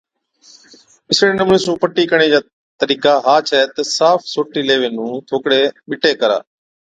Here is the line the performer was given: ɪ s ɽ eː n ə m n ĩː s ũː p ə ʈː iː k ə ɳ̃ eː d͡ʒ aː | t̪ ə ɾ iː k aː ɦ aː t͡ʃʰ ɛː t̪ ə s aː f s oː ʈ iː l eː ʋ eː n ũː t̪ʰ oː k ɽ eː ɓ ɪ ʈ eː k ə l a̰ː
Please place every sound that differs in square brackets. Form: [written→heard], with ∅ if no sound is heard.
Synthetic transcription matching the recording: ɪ s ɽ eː n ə m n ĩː s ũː p ə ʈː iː k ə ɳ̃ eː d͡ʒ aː | t̪ ə ɾ iː k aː ɦ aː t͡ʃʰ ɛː t̪ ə s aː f s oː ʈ iː l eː ʋ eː n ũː t̪ʰ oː k ɽ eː ɓ ɪ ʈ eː k ə [l→ɾ] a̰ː